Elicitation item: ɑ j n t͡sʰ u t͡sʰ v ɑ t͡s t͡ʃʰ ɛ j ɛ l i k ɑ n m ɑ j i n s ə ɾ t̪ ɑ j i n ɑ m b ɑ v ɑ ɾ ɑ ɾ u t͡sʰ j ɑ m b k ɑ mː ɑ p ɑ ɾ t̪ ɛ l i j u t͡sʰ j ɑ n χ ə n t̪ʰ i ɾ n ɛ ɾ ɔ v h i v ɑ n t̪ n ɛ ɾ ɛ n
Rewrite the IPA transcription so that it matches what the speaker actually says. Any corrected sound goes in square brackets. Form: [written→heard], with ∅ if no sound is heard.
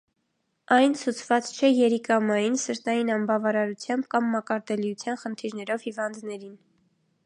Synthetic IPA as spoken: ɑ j n t͡sʰ u t͡sʰ v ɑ t͡s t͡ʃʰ ɛ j ɛ [l→ɾ] i k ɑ [n→∅] m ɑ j i n s ə ɾ t̪ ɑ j i n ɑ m b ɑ v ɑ ɾ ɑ ɾ u t͡sʰ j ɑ m b k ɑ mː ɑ [p→k] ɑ ɾ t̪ ɛ l i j u t͡sʰ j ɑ n χ ə n t̪ʰ i ɾ n ɛ ɾ ɔ v h i v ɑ n [t̪→d̪] n ɛ ɾ [ɛ→i] n